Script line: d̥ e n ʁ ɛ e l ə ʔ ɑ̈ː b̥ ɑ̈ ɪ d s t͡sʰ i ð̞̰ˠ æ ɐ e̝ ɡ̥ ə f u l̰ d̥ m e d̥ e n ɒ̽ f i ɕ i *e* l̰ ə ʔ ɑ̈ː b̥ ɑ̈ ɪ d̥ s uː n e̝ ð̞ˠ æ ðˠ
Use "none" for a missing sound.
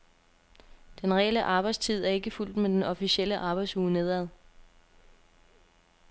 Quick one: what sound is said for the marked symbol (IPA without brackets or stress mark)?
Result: e